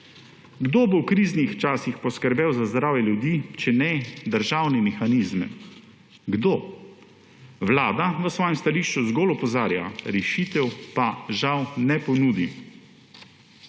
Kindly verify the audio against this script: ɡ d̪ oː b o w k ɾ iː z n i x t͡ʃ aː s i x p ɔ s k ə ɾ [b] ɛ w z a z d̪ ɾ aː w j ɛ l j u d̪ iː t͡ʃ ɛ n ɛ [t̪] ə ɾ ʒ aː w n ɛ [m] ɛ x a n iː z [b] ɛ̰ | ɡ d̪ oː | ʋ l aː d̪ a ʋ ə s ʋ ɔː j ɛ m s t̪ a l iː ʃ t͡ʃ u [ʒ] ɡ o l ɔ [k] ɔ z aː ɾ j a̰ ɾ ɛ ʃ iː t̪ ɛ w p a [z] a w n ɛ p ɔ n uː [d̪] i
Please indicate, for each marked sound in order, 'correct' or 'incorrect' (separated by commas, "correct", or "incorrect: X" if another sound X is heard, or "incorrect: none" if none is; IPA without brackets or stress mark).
correct, incorrect: d̪, correct, incorrect: m, incorrect: z, incorrect: p, incorrect: ʒ, correct